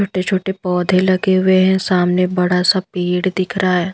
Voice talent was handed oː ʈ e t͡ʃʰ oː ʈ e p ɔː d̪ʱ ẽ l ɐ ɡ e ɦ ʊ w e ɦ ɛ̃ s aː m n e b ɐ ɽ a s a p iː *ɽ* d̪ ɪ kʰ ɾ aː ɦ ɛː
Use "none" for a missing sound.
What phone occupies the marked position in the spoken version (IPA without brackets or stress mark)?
ɽ